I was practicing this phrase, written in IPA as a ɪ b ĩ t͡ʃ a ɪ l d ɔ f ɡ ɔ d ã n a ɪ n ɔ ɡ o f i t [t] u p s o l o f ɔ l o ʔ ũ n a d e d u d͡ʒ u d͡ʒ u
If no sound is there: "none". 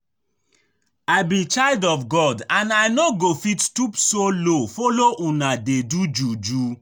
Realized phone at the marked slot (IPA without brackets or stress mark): t